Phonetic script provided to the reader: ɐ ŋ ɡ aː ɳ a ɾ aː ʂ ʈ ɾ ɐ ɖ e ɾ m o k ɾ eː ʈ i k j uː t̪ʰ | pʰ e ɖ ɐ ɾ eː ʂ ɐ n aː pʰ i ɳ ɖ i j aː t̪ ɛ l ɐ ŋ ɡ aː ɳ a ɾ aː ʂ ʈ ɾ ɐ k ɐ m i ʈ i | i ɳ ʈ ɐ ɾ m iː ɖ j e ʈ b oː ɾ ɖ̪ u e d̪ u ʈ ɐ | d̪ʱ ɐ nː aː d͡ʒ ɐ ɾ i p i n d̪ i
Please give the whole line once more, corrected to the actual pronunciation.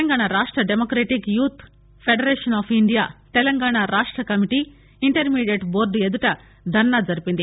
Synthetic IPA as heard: ɐ ŋ ɡ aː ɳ a ɾ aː ʂ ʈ ɾ ɐ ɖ e m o k ɾ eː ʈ i k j uː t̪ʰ | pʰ e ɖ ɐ ɾ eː ʂ ɐ n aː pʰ i ɳ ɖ i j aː t̪ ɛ l ɐ ŋ ɡ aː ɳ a ɾ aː ʂ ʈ ɾ ɐ k ɐ m i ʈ i | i ɳ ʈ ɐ ɾ m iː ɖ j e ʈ b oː ɾ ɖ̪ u e d̪ u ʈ ɐ | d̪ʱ ɐ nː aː d͡ʒ ɐ ɾ i p i n d̪ i